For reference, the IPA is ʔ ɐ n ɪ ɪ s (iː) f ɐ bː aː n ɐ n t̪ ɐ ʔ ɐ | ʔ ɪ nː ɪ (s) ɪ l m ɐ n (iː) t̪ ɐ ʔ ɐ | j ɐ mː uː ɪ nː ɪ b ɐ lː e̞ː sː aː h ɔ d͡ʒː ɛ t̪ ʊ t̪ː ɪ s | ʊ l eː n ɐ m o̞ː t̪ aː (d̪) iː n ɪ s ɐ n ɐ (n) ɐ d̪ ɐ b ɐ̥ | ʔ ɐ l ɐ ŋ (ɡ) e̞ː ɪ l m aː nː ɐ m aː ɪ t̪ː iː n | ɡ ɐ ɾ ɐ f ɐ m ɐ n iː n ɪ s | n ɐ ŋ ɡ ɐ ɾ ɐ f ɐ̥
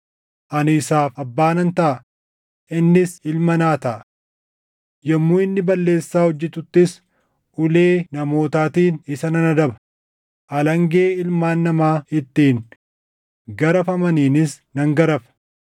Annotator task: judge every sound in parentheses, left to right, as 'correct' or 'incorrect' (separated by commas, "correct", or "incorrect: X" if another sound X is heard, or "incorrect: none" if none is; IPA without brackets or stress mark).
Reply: incorrect: aː, correct, incorrect: aː, incorrect: t̪, correct, correct